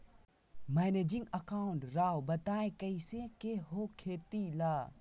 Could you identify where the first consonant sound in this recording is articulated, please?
labial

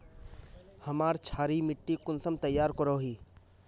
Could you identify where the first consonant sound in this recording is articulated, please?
glottal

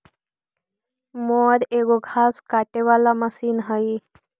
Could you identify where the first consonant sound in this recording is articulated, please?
labial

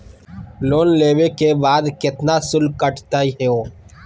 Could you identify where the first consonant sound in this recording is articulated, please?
alveolar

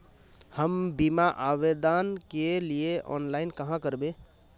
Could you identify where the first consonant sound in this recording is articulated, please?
glottal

